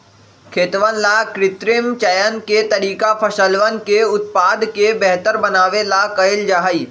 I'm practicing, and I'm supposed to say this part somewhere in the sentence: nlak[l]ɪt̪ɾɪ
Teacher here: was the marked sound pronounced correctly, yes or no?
no